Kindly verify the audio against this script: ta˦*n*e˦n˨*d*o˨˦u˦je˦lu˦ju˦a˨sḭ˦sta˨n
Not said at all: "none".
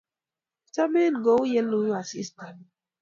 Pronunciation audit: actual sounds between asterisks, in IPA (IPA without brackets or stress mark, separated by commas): m, ɡ